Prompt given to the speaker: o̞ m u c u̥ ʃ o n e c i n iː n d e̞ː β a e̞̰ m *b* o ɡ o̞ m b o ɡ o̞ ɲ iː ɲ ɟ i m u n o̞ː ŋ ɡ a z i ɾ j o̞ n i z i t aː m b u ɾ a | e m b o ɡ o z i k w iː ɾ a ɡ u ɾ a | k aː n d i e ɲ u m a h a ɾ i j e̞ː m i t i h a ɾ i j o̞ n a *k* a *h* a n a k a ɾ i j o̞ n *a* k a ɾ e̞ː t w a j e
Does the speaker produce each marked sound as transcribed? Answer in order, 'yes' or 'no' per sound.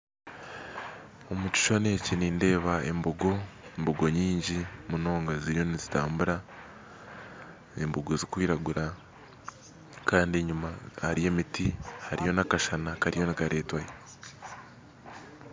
yes, yes, no, no

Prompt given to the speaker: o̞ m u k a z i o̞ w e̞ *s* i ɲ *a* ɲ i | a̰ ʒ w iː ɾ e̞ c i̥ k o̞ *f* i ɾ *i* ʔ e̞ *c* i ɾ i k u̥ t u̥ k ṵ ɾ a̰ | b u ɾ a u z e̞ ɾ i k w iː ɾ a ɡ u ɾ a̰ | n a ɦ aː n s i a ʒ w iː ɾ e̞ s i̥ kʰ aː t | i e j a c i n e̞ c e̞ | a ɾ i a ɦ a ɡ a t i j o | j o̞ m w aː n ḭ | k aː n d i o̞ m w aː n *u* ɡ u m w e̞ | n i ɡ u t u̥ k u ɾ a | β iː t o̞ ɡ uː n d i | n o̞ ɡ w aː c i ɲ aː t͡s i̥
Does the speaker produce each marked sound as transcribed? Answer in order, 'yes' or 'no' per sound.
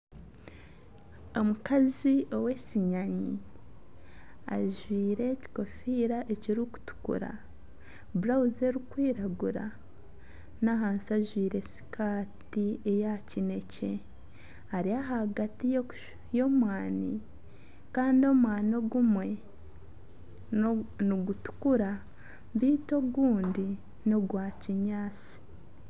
yes, yes, yes, no, yes, no

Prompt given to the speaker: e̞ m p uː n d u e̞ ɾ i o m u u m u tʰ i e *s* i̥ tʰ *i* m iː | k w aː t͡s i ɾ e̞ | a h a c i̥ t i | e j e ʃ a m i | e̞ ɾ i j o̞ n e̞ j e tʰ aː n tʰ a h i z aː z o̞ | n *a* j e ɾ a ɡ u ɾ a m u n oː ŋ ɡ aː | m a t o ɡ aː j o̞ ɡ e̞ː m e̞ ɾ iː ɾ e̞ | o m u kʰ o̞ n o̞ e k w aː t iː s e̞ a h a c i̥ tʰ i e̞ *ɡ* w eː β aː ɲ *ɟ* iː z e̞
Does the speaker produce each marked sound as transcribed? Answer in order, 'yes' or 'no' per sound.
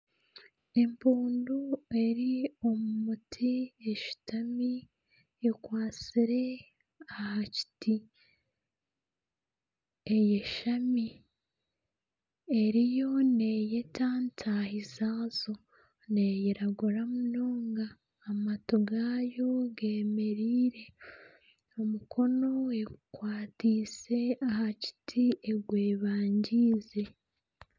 no, no, no, yes, yes

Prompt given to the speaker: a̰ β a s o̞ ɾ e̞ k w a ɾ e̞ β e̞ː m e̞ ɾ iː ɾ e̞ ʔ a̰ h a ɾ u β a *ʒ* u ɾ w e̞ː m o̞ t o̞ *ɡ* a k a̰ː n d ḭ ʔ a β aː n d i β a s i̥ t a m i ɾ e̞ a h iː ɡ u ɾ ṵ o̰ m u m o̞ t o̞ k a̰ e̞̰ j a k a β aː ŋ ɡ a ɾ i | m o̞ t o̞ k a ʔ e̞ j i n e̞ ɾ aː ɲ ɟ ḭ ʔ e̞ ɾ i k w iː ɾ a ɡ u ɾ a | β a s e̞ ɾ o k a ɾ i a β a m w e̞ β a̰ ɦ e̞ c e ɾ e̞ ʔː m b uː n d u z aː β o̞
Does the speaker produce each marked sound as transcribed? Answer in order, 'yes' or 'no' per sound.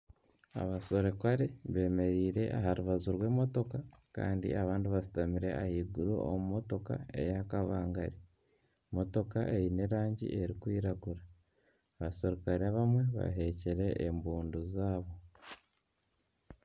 no, no

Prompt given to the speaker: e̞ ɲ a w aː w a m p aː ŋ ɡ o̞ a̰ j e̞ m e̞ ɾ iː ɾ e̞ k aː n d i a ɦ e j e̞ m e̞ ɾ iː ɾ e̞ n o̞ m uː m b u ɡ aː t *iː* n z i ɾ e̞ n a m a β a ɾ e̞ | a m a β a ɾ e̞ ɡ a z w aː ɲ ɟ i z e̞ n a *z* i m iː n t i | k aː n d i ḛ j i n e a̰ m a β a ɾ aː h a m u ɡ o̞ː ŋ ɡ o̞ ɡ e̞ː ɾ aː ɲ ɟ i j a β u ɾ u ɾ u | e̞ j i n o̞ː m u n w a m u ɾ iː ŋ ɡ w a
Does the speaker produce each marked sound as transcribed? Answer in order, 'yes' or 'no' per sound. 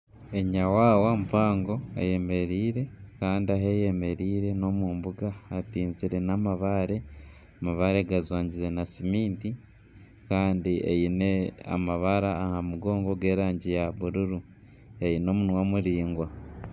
yes, no

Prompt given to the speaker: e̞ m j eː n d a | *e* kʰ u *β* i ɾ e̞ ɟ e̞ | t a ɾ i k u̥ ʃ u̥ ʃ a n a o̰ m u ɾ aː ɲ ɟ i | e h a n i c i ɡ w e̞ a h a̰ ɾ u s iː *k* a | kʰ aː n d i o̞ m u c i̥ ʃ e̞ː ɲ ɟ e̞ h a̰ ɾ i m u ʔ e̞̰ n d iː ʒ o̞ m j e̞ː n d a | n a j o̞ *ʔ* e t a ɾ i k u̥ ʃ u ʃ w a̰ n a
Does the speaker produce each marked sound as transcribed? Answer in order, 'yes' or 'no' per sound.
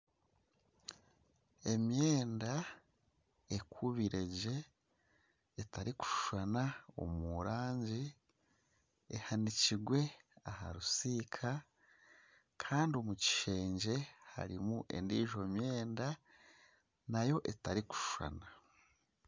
yes, yes, no, yes

